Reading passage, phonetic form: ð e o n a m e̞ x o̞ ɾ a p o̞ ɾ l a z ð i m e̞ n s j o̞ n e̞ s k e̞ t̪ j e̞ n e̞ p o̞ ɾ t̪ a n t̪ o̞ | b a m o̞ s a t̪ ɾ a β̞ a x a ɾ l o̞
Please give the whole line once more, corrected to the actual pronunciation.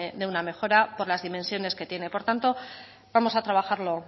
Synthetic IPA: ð e u n a m e̞ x o̞ ɾ a p o̞ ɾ l a z ð i m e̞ n s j o̞ n e̞ s k e̞ t̪ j e̞ n e̞ p o̞ ɾ t̪ a n t̪ o̞ | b a m o̞ s a t̪ ɾ a β̞ a x a ɾ l o̞